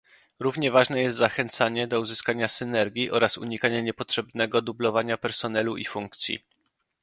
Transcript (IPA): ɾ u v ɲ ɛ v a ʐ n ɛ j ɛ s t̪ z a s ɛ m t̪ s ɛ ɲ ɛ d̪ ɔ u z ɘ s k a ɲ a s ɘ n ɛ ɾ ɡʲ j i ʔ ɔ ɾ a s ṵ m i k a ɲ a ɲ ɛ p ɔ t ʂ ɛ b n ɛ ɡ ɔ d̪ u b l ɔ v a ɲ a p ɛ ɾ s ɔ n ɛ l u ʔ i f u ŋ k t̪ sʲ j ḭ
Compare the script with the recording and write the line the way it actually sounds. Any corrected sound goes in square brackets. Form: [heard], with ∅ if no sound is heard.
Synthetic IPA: ɾ u v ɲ ɛ v a ʐ n ɛ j ɛ s t̪ z a [x] ɛ [n] t̪ s [a] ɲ ɛ d̪ ɔ u z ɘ s k a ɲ a s ɘ n ɛ ɾ ɡʲ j i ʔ ɔ ɾ a s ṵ [ɲ] i k a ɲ a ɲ ɛ p ɔ t ʂ ɛ b n ɛ ɡ ɔ d̪ u b l ɔ v a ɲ a p ɛ ɾ s ɔ n ɛ l u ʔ i f u ŋ k t̪ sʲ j ḭ